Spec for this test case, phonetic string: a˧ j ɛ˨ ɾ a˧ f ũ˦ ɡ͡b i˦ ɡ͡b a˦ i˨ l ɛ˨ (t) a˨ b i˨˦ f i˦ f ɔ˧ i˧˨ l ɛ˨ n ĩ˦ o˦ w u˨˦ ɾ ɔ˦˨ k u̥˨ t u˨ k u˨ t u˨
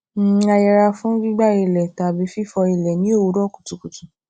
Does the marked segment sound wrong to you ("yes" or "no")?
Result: no